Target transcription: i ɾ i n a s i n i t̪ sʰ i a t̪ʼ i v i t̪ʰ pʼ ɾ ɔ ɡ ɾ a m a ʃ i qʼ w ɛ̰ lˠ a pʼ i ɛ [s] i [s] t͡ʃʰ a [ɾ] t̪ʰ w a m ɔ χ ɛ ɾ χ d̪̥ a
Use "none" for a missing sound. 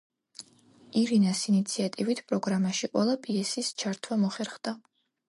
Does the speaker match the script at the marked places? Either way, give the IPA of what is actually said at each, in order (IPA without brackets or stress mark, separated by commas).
s, s, ɾ